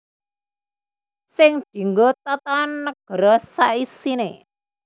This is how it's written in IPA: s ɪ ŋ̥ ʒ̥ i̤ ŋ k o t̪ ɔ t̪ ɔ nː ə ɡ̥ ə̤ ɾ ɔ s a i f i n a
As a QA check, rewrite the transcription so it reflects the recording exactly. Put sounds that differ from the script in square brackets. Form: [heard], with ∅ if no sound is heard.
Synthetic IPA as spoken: s ɪ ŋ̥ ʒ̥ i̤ ŋ [ɡ] o t̪ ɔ t̪ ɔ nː ə ɡ̥ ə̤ ɾ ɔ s a i [s] i n [e]